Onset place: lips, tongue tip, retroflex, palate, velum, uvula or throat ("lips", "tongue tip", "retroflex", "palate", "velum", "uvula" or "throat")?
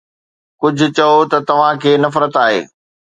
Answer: velum